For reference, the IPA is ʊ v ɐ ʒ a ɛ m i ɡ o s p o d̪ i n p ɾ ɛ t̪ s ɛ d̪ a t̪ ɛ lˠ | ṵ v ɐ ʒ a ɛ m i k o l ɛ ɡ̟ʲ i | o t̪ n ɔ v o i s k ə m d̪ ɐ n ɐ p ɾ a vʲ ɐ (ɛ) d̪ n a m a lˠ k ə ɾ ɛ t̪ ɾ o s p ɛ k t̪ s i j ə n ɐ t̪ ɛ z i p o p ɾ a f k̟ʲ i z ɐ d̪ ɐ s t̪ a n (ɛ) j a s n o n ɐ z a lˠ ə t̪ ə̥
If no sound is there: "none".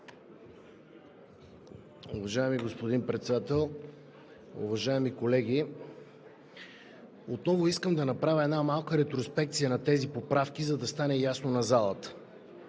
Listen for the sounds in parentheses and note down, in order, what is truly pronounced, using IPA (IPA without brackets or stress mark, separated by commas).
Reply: ɛ, ɛ